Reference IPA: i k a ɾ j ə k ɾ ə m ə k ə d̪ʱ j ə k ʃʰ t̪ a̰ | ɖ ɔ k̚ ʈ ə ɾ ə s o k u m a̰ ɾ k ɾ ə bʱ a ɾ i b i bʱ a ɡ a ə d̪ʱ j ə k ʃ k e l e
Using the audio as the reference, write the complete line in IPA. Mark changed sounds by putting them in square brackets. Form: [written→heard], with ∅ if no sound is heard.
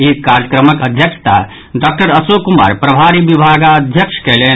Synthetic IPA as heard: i k a ɾ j ə k ɾ ə m ə k ə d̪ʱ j ə k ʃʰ t̪ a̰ | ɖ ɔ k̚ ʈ ə ɾ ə s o k u m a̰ ɾ [k→p] ɾ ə bʱ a ɾ i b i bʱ a ɡ a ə d̪ʱ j ə k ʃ k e l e